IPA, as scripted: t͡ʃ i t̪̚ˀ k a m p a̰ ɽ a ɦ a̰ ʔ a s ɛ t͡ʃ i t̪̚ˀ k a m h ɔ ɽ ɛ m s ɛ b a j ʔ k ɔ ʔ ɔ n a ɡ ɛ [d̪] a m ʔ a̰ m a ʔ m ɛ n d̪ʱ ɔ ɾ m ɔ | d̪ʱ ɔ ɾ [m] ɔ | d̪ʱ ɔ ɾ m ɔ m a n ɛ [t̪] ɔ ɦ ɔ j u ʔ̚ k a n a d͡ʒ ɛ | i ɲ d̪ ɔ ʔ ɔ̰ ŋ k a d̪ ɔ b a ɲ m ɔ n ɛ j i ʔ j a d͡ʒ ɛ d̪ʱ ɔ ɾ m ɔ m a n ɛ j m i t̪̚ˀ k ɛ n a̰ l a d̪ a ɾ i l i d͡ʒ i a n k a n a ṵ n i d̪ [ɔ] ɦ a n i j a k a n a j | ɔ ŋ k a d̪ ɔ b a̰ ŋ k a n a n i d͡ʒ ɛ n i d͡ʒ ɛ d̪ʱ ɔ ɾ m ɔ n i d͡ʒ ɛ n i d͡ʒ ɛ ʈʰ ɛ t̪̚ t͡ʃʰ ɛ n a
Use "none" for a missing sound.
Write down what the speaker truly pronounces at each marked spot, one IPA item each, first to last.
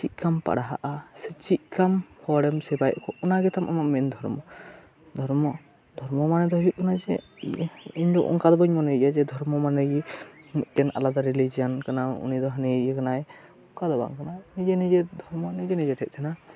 t̪, m, d̪, ɔ

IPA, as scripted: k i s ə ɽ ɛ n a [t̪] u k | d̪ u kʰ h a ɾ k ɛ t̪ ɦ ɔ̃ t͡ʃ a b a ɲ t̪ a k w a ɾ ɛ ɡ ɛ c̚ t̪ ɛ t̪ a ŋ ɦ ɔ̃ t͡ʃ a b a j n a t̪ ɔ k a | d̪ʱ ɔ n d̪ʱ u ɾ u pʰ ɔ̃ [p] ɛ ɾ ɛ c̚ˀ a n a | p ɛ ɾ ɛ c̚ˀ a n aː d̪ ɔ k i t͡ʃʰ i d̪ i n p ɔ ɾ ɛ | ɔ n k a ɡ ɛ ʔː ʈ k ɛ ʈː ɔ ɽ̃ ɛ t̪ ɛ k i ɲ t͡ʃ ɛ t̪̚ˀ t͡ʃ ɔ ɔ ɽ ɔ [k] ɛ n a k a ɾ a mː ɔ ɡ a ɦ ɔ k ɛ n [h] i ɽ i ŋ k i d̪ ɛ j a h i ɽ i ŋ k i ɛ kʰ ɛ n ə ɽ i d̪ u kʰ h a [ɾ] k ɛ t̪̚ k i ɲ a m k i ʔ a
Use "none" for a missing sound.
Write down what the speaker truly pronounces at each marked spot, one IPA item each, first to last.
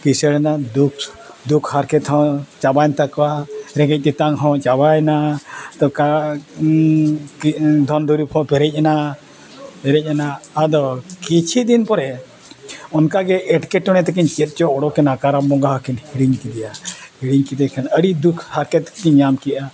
d̪, p, k, h, ɾ

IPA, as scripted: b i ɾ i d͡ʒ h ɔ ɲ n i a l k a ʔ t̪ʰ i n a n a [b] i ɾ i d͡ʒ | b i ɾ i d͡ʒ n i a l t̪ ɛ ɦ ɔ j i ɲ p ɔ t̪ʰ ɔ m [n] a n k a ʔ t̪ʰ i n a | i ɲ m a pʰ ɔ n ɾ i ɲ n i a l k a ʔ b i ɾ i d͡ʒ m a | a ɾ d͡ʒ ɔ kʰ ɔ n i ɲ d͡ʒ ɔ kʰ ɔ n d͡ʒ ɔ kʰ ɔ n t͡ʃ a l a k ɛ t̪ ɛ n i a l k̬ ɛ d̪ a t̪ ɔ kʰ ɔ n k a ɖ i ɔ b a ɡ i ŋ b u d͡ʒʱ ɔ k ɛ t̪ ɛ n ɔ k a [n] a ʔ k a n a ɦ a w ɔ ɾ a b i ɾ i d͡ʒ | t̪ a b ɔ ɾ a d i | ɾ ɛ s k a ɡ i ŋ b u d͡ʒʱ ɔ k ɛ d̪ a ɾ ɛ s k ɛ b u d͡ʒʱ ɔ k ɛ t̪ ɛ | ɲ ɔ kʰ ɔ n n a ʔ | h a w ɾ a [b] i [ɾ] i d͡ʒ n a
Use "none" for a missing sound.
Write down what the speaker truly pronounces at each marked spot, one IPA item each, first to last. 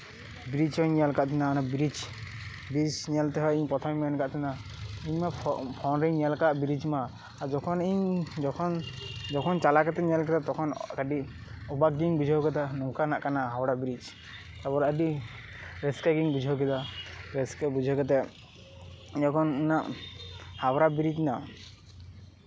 b, m, n, b, ɾ

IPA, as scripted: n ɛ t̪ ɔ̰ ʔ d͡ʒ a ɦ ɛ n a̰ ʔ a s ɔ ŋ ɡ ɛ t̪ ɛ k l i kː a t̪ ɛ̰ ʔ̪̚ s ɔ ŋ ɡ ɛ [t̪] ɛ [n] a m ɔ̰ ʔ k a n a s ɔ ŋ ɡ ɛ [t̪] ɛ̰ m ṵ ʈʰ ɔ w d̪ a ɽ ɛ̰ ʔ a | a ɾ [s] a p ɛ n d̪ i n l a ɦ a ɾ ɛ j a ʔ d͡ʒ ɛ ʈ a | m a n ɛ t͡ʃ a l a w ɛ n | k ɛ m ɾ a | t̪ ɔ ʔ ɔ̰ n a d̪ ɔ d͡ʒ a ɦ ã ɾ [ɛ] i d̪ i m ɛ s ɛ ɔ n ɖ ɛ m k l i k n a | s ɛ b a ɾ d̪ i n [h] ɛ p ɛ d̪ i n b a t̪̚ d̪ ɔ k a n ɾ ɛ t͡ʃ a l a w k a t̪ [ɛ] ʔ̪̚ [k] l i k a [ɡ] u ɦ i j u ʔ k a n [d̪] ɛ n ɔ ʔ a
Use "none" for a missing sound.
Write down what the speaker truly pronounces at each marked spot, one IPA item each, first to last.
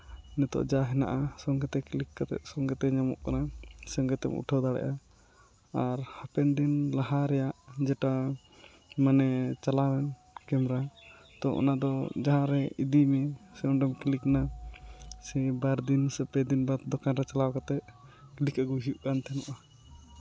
t̪, ɲ, t̪, h, ɛ, s, ɛ, k, ɡ, t̪

